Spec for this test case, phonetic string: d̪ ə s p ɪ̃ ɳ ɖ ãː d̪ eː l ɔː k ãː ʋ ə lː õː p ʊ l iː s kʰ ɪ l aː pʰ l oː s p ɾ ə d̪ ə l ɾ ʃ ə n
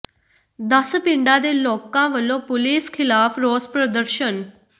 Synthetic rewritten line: d̪ ə s p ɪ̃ ɳ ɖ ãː d̪ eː l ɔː k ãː ʋ ə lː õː p ʊ l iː s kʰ ɪ l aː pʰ ɾ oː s p ɾ ə d̪ ə ɾ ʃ ə n